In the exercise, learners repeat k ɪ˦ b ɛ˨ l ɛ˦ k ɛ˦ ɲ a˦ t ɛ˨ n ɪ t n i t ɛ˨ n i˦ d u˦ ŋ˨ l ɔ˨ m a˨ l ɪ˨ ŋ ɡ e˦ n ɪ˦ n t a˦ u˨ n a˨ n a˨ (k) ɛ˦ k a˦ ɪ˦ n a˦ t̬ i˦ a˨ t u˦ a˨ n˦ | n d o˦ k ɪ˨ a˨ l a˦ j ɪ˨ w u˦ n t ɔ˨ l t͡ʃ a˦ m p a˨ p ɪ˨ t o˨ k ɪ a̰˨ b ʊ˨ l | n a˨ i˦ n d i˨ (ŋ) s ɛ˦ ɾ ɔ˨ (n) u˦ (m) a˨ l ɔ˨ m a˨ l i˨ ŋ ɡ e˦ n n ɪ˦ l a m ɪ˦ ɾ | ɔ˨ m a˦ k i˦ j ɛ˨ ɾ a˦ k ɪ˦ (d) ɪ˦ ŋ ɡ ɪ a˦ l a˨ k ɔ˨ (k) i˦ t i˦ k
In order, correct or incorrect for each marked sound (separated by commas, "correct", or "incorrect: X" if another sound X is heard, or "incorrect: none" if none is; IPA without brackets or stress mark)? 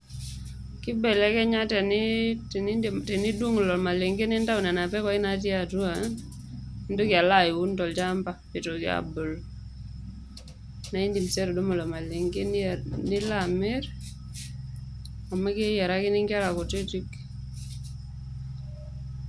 incorrect: p, incorrect: m, incorrect: d, correct, incorrect: n, incorrect: t